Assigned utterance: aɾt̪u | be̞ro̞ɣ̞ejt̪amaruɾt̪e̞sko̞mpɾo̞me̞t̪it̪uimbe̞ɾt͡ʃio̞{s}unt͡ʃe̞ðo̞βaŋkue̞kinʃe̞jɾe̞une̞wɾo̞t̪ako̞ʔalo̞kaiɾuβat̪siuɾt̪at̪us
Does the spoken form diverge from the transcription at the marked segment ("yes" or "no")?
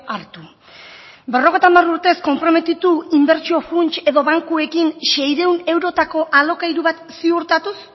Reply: yes